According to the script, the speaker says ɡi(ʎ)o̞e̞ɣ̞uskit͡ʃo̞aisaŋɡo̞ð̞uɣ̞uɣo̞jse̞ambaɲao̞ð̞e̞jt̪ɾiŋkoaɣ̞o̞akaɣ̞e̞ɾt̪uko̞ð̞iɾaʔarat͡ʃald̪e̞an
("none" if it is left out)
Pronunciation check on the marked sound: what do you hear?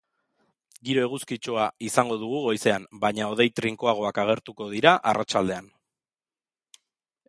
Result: ɾ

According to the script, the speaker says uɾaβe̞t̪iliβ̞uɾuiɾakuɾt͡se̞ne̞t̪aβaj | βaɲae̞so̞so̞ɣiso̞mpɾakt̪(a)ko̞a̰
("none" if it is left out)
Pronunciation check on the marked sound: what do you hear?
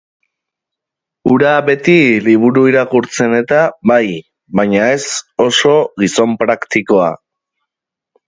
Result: i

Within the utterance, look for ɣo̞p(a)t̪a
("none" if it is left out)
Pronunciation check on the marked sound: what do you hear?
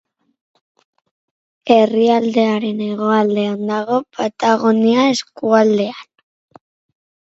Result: a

